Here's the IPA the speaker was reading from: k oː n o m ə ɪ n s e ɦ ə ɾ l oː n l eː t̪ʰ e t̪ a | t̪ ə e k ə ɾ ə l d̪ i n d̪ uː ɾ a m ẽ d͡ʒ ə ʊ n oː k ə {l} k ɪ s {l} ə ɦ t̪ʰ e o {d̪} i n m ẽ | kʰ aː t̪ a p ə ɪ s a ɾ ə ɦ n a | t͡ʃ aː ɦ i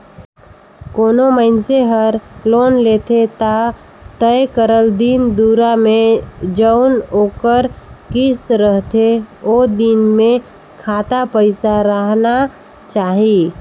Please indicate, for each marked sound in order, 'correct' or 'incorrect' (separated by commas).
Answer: incorrect, incorrect, correct